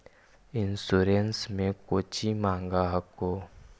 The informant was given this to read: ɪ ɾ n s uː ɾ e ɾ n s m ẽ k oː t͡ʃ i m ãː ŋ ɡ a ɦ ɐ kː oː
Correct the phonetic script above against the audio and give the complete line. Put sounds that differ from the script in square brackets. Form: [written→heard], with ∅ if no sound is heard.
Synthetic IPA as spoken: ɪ [ɾ→∅] n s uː ɾ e [ɾ→∅] n s m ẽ k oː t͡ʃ i m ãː ŋ ɡ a ɦ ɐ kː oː